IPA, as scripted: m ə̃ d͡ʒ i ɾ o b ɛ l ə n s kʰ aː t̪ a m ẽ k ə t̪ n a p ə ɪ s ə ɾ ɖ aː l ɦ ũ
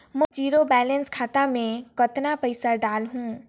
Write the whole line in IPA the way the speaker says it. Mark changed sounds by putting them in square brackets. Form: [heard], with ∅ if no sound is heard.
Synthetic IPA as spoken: m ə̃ d͡ʒ i ɾ o b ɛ l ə n s kʰ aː t̪ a m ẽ k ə t̪ n a p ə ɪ s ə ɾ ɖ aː l ɦ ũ